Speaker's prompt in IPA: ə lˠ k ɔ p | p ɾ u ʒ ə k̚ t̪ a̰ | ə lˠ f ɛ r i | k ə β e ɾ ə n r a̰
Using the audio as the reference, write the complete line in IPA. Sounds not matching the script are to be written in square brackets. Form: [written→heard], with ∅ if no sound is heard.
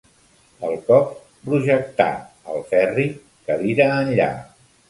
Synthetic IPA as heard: ə lˠ k ɔ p | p ɾ u ʒ ə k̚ t̪ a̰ | ə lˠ f ɛ r i | k ə β [e→i] ɾ [ə→əː] n [r→ʎ] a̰